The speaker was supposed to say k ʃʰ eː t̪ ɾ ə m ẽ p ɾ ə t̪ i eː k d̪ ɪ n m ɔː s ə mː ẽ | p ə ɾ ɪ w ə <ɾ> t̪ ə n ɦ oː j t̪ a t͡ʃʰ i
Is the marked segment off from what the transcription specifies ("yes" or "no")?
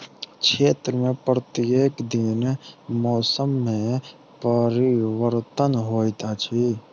no